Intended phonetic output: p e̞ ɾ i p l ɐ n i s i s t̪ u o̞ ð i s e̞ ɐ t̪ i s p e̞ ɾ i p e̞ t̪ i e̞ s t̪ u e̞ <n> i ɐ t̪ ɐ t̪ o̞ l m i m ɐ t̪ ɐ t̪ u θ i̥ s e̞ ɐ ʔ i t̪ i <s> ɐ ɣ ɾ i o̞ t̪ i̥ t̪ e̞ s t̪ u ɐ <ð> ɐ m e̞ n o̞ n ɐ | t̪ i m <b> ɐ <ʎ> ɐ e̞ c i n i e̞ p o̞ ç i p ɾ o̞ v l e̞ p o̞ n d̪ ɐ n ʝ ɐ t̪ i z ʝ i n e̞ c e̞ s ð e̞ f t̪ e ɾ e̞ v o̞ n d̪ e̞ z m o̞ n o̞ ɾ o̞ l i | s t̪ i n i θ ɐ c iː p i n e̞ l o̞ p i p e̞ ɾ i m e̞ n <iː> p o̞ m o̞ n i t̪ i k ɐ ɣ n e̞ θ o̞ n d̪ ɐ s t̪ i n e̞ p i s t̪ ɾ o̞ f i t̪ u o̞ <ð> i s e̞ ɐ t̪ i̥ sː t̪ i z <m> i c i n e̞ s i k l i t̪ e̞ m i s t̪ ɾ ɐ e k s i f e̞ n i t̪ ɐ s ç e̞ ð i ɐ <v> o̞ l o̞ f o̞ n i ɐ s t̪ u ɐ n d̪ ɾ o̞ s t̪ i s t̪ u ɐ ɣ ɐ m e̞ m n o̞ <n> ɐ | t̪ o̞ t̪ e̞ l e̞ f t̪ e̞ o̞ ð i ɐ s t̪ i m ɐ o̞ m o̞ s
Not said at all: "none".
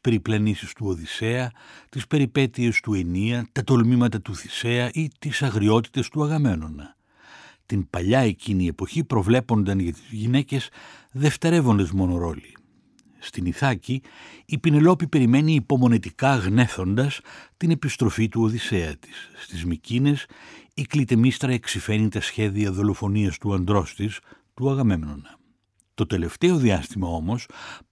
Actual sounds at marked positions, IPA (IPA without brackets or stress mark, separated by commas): n, s, ɣ, p, ʎ, iː, ð, m, ð, n